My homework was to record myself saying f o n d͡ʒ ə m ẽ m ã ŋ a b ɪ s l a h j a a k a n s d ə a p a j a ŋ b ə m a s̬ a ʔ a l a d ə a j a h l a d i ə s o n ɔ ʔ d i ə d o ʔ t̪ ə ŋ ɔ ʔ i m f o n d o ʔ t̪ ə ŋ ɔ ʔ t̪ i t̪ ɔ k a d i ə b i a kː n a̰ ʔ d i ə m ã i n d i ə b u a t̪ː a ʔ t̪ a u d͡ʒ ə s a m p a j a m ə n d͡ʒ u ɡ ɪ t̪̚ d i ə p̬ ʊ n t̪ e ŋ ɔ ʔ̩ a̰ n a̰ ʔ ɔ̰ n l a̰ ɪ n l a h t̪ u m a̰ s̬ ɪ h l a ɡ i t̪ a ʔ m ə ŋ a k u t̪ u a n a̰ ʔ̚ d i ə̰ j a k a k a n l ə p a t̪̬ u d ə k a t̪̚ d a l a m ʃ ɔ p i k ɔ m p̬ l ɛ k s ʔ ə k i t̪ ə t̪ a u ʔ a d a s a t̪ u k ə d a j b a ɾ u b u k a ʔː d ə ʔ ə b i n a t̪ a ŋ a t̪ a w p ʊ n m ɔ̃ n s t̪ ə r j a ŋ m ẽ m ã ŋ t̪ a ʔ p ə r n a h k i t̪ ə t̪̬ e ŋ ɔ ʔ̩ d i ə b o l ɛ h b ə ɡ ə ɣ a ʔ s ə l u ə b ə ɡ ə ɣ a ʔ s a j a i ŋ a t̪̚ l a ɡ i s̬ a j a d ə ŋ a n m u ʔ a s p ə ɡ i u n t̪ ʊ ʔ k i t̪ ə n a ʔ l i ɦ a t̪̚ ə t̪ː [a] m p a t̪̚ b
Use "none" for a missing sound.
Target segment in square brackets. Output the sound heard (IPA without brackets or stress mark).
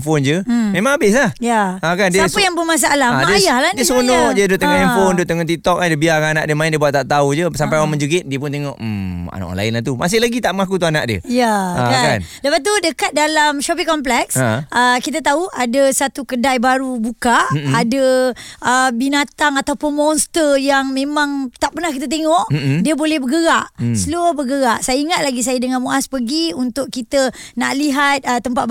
ə